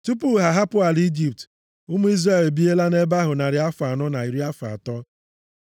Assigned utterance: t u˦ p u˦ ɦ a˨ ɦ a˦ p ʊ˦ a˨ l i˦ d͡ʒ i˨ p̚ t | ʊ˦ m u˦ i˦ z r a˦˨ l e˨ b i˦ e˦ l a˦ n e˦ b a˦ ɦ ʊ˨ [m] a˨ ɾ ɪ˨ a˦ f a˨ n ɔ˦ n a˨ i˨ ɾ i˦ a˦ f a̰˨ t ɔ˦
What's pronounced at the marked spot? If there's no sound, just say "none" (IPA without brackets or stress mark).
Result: n